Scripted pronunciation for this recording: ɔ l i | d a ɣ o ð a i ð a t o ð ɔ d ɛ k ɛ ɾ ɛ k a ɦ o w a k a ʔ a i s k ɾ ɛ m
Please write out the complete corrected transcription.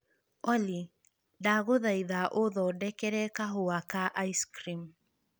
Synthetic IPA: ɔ l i | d a ɣ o ð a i ð a ʔ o ð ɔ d ɛ k ɛ ɾ ɛ k a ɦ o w a k a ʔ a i s k ɾ i m